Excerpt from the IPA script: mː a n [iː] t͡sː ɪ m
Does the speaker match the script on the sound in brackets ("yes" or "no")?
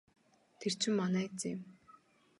no